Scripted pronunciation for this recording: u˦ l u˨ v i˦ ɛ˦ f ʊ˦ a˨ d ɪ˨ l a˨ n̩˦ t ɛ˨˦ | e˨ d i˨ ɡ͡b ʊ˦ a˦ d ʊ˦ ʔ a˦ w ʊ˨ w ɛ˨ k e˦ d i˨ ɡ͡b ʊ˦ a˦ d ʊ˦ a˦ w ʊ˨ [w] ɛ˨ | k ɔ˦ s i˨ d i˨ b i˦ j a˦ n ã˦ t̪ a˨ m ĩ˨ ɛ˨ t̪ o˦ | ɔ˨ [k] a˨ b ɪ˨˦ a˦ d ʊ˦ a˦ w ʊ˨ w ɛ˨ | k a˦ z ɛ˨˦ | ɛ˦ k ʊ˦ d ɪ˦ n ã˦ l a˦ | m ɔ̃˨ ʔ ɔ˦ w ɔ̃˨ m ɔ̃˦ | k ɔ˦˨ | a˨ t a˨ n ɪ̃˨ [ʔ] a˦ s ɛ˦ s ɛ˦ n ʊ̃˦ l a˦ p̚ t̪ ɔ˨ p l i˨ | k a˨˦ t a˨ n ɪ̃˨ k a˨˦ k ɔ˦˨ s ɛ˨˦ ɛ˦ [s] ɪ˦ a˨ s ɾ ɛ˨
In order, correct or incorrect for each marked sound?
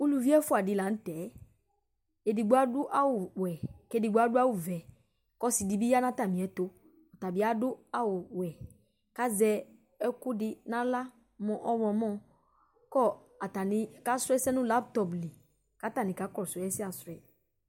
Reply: incorrect: v, incorrect: t, incorrect: k, correct

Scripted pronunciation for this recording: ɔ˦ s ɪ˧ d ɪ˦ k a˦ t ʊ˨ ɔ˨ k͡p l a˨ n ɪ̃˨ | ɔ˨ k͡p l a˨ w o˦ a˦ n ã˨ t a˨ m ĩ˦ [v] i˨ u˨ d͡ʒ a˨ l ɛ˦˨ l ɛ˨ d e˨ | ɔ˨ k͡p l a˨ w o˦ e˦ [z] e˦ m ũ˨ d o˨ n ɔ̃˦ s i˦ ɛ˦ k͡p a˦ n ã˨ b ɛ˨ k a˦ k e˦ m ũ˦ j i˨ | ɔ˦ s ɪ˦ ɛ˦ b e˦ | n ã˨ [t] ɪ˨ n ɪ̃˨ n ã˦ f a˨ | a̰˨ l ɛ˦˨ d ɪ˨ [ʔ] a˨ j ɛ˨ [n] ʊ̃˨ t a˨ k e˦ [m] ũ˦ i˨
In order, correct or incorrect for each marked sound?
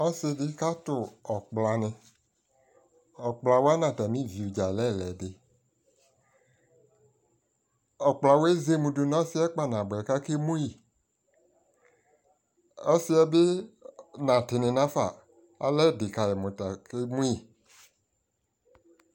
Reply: correct, correct, correct, incorrect: k, incorrect: m, correct

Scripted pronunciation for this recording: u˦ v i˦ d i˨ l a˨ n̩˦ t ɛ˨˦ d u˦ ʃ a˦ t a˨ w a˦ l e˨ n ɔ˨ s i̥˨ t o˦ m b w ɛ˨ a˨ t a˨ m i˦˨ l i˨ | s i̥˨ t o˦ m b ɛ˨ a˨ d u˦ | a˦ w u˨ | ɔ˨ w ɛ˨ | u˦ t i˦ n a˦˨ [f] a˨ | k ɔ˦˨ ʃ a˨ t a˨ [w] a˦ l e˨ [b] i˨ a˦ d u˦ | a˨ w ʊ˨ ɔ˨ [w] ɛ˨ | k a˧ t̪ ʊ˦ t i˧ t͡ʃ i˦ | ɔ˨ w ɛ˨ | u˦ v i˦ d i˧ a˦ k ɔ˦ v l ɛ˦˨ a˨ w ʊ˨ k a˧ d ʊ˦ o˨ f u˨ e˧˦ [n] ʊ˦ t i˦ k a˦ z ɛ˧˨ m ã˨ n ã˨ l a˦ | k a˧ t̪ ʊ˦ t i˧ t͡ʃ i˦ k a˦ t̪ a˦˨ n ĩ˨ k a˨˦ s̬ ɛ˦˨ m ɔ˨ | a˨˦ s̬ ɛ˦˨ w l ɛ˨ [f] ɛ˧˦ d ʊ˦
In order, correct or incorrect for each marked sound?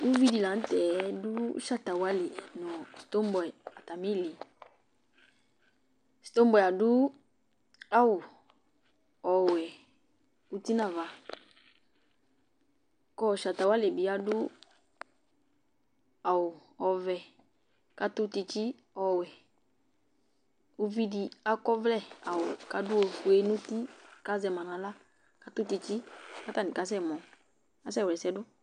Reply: incorrect: v, correct, correct, incorrect: v, correct, incorrect: s

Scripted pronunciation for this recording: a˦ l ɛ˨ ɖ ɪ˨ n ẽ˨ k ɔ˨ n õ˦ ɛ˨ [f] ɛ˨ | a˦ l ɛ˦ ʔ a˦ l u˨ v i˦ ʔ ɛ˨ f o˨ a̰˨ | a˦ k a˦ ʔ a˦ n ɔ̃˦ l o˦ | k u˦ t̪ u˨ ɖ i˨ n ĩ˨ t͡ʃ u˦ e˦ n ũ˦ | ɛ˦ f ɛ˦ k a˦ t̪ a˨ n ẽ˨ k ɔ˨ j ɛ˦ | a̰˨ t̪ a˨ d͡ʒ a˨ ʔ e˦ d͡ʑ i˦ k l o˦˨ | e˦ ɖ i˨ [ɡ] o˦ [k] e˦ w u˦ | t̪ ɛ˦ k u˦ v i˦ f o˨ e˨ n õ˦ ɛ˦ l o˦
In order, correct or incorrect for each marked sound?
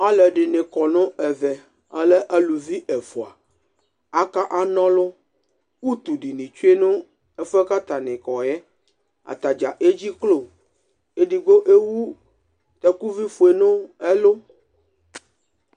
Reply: incorrect: v, correct, incorrect: ʔ

